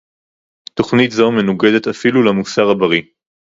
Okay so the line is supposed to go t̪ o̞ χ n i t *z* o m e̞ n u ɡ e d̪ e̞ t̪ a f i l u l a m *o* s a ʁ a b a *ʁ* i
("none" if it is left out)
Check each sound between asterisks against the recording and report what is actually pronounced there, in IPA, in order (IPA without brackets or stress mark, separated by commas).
z, u, ʁ